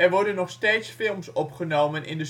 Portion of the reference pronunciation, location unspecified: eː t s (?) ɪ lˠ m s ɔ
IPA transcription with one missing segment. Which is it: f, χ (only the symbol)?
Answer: f